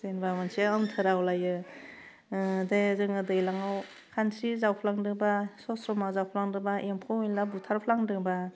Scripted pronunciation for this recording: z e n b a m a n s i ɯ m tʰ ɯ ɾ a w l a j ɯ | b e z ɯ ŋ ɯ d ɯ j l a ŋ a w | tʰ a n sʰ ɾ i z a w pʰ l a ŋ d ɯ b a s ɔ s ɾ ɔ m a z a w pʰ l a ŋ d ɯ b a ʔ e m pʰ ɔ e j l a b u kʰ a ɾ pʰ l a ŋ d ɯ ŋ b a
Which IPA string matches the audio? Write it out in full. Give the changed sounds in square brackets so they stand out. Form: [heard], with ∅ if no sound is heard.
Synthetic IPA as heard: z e n b a m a n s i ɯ m tʰ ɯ ɾ a w l a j ɯ | [d] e z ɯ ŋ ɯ d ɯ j l a ŋ a w | [kʰ] a n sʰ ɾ i z a w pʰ l a ŋ d ɯ b a s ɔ s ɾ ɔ m a z a w pʰ l a ŋ d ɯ b a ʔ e m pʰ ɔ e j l a b u [tʰ] a ɾ pʰ l a ŋ d ɯ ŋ b a